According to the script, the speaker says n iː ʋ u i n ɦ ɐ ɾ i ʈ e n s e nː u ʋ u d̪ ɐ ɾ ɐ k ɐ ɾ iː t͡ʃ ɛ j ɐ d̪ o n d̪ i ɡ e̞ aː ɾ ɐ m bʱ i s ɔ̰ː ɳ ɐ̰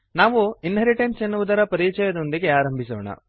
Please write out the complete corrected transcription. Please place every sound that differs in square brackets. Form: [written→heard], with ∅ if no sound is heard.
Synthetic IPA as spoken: n [iː→aː] ʋ u i n ɦ ɐ ɾ i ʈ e n s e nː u ʋ u d̪ ɐ ɾ ɐ [k→p] ɐ ɾ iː t͡ʃ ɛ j ɐ d̪ o n d̪ i ɡ e̞ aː ɾ ɐ m bʱ i s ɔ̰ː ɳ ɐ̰

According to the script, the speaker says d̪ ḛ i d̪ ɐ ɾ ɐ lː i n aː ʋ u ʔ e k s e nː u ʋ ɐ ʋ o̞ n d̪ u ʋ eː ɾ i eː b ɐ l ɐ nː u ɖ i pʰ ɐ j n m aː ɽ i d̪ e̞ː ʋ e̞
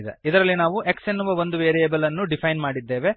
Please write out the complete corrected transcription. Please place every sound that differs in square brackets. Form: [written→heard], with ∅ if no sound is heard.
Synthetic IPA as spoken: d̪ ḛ i d̪ ɐ ɾ ɐ lː i n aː ʋ u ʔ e k s e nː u ʋ ɐ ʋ o̞ n d̪ u ʋ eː ɾ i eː b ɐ l ɐ nː u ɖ i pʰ ɐ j n m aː ɽ i [d̪→d̪ː] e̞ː ʋ e̞

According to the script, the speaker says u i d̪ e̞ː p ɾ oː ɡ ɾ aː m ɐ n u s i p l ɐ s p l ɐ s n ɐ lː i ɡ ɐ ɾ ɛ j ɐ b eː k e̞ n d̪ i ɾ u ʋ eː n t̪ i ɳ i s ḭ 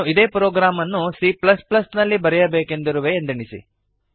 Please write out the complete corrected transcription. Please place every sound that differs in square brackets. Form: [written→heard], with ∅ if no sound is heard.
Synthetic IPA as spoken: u i d̪ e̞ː p ɾ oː ɡ ɾ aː m ɐ [n→nː] u s i p l ɐ s p l ɐ s n ɐ lː i [ɡ→b] ɐ ɾ ɛ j ɐ b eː k e̞ n d̪ i ɾ u ʋ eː n [t̪→d̪] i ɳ i s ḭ

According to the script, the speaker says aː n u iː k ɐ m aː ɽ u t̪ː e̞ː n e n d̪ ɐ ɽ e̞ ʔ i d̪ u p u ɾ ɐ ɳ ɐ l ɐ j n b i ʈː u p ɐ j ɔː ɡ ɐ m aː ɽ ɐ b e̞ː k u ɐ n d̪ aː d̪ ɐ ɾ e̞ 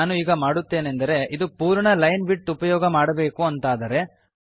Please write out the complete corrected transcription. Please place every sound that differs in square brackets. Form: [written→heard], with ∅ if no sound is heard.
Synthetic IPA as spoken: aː n u iː [k→ɡ] ɐ m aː ɽ u t̪ː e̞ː n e n d̪ ɐ [ɽ→ɾ] e̞ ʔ i d̪ u p [u→uː] ɾ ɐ ɳ ɐ l ɐ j n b i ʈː u p ɐ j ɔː ɡ ɐ m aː ɽ ɐ b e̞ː k u ɐ n [d̪→t̪] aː d̪ ɐ ɾ e̞

